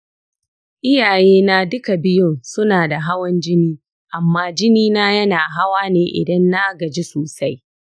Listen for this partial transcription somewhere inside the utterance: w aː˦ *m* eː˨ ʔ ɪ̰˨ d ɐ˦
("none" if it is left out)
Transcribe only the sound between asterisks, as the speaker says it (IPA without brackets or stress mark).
n